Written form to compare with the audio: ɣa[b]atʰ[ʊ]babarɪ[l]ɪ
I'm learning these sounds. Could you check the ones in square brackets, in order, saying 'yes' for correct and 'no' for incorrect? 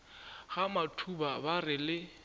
no, no, yes

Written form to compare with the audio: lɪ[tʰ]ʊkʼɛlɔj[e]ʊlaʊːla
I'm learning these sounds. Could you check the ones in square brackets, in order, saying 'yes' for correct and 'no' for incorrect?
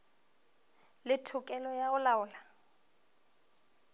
yes, no

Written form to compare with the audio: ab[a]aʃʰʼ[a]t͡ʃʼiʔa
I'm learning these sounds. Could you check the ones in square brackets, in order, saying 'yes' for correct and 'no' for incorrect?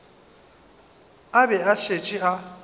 no, no

